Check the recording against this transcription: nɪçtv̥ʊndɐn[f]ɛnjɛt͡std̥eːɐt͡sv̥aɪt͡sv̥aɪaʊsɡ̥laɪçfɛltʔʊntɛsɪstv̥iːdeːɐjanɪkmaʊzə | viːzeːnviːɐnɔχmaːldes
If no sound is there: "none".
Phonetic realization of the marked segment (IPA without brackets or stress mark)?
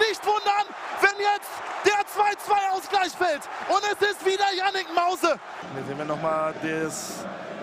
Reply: v